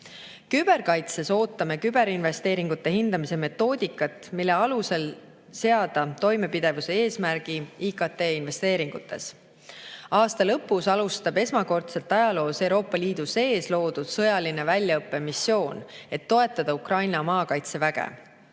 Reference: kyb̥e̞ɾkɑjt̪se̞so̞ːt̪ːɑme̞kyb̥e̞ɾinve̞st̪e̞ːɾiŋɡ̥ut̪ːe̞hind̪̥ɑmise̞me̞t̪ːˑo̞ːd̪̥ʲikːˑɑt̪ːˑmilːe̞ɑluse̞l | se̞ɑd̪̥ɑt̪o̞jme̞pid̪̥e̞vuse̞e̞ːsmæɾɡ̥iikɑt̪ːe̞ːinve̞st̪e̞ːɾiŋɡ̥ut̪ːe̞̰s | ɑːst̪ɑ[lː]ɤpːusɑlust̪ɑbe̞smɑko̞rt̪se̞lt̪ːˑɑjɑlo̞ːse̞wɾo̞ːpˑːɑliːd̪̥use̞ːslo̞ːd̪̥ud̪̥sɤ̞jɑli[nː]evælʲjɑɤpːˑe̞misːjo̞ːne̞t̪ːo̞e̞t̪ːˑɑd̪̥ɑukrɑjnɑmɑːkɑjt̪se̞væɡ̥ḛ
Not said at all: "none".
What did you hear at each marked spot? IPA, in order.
l, n

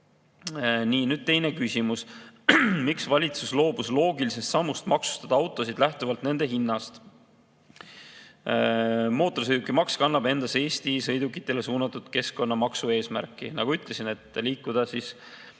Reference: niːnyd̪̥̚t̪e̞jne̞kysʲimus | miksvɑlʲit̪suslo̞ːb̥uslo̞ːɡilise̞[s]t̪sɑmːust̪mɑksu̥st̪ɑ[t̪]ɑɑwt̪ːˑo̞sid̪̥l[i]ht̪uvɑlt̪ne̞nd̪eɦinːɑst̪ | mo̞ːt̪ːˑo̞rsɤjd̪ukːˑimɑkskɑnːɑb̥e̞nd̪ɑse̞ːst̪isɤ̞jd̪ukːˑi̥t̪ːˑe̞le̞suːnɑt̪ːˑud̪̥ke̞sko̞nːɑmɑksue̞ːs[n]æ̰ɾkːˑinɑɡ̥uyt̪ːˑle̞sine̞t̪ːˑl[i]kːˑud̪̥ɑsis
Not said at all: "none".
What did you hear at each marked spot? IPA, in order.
s, d̪, æ, m, iː

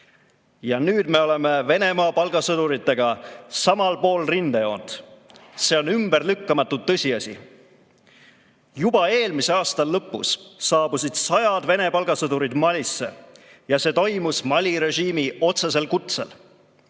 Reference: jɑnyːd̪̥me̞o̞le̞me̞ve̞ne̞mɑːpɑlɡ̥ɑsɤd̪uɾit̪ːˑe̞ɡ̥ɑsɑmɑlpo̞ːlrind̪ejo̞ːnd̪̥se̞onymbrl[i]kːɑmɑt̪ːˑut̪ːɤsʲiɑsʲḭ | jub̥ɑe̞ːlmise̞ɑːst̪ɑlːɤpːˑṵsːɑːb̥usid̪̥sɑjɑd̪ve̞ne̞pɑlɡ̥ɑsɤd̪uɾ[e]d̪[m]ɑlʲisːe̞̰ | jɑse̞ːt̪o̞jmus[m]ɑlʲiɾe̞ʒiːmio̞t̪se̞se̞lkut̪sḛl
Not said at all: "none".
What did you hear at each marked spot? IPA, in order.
y, i, m, m

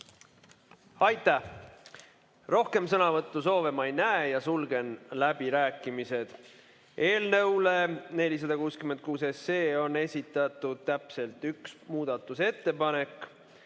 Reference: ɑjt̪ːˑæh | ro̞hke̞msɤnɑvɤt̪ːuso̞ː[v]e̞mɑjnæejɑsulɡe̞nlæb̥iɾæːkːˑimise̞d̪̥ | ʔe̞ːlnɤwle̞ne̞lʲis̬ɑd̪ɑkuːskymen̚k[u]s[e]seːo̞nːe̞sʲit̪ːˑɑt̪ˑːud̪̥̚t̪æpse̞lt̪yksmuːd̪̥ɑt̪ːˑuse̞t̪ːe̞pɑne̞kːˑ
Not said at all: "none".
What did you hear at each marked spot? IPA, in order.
v, uː, e

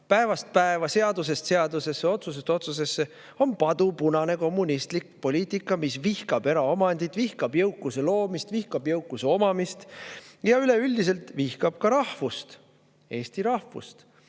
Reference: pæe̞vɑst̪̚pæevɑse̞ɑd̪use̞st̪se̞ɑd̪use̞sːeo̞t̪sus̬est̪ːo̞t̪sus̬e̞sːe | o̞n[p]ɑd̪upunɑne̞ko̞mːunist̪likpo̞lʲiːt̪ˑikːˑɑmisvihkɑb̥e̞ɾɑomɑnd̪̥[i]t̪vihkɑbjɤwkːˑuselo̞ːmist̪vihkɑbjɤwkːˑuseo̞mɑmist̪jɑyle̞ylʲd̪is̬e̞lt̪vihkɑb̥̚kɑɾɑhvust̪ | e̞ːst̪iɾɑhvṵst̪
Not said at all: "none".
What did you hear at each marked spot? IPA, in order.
p, i

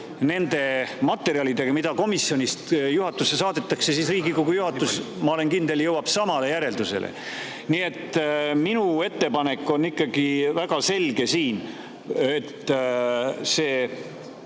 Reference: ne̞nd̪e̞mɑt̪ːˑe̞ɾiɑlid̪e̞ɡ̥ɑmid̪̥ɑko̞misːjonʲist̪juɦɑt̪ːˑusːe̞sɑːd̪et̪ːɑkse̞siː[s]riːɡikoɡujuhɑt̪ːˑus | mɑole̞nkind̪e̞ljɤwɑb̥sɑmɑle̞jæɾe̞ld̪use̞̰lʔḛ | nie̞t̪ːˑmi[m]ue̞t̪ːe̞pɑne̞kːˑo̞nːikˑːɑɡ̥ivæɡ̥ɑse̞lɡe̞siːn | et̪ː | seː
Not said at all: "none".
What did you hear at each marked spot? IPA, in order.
s, n

